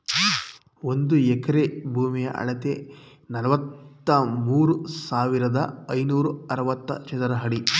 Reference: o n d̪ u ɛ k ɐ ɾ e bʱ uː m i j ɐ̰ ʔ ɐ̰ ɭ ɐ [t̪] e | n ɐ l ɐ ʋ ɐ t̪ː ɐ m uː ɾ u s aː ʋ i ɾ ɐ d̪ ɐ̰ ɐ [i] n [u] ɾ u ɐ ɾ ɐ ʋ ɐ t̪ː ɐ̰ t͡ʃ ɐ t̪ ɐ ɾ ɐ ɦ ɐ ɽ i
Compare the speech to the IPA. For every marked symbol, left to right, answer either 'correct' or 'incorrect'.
correct, incorrect: j, incorrect: uː

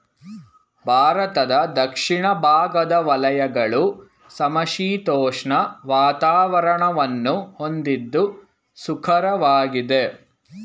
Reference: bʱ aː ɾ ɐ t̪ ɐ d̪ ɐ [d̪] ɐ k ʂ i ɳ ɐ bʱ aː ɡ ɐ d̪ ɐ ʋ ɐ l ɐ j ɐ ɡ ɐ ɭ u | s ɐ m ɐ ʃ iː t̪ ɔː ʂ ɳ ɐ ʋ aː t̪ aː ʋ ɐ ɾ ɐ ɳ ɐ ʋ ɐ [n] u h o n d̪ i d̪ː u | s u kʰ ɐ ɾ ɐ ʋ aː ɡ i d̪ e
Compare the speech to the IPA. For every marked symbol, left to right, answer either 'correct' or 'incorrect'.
correct, incorrect: nː

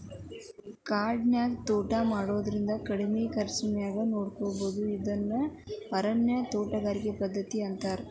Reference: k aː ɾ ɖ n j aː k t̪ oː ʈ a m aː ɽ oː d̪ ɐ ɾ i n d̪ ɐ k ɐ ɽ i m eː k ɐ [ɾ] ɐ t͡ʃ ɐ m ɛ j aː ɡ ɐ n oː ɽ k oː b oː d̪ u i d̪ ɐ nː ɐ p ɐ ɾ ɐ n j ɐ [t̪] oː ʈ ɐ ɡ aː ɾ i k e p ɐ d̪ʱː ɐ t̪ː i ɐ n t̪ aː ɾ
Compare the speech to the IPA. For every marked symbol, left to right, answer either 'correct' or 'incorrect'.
correct, correct

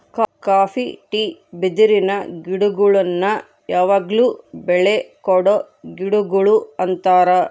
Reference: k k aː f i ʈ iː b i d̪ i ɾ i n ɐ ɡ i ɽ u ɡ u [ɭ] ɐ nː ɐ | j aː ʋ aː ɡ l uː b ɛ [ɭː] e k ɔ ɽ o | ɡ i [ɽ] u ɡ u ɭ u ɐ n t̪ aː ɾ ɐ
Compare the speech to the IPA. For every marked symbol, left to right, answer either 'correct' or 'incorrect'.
correct, incorrect: ɭ, correct

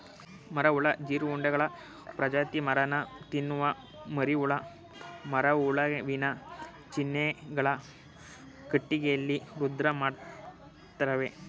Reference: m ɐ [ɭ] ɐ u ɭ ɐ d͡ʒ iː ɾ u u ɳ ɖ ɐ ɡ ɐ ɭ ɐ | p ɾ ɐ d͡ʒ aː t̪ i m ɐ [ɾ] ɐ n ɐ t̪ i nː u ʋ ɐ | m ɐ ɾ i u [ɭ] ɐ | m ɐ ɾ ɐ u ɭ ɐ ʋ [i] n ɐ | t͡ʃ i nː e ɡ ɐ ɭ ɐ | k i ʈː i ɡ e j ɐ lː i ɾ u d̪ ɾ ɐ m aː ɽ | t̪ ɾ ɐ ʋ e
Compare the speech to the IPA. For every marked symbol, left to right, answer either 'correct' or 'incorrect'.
incorrect: ɾ, correct, correct, correct

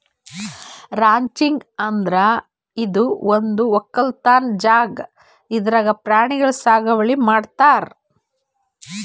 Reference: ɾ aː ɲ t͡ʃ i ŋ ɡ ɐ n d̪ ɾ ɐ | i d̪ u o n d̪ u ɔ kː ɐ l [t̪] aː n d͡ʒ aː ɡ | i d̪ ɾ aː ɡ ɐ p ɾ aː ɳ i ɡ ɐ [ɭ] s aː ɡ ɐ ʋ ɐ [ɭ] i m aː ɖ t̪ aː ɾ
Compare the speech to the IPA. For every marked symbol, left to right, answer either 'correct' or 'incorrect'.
correct, correct, correct

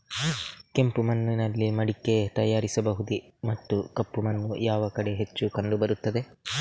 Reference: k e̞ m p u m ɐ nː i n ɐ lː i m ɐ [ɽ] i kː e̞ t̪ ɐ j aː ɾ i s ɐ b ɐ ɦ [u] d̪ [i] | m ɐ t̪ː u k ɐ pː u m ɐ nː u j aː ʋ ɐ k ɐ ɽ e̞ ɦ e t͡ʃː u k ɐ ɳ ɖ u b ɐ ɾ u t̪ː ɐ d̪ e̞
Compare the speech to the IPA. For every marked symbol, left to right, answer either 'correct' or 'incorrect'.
correct, correct, correct

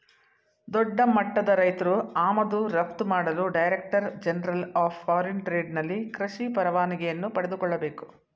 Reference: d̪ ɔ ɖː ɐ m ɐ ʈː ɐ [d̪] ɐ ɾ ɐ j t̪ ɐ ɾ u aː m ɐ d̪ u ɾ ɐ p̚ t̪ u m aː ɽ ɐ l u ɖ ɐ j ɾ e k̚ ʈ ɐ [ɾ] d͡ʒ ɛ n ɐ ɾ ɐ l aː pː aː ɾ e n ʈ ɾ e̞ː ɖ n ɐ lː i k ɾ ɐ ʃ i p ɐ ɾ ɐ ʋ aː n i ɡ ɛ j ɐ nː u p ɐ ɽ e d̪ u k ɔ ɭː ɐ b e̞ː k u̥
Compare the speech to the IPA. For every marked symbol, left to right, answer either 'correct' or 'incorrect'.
correct, correct

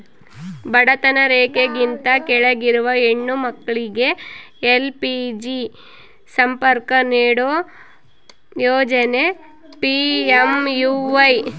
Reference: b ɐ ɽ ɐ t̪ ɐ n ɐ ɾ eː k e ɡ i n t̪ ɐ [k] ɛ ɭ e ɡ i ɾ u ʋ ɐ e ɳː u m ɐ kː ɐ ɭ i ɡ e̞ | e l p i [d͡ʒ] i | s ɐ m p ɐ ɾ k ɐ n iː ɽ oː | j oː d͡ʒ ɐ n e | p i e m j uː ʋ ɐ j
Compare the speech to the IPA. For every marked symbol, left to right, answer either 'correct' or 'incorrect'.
correct, correct

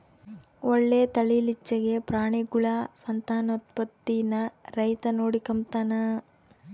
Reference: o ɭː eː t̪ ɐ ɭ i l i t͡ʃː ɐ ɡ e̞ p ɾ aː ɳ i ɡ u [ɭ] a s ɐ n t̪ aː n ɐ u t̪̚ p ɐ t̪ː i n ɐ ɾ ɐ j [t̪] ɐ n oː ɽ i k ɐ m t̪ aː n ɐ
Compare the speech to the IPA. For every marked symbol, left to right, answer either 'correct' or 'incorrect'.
correct, correct

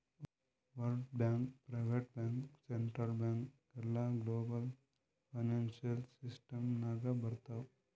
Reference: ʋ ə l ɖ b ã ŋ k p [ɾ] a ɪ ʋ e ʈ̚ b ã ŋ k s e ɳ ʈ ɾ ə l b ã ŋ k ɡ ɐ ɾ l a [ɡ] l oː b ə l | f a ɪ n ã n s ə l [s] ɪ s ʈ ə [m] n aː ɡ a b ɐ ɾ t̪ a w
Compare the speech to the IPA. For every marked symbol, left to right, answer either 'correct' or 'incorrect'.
correct, correct, correct, correct

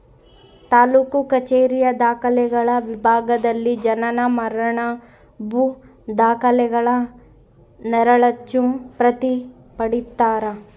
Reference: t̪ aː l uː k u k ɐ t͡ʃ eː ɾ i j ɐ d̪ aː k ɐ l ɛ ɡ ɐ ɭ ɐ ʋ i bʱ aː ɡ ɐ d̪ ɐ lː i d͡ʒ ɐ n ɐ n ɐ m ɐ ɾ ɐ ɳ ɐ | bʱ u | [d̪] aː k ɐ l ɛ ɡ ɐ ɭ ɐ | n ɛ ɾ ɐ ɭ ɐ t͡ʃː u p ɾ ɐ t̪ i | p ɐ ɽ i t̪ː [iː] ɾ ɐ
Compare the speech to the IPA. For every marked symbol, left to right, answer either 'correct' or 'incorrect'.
correct, incorrect: aː

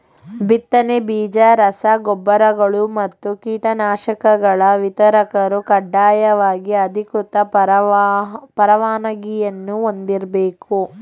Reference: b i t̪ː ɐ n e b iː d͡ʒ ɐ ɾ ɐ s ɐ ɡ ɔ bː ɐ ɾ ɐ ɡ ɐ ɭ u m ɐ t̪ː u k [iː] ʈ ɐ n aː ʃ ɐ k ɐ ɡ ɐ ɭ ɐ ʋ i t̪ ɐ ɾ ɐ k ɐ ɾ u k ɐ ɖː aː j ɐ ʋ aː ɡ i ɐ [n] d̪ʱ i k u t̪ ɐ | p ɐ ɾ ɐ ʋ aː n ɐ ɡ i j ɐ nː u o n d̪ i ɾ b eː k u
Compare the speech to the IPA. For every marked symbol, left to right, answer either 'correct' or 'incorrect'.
correct, incorrect: none

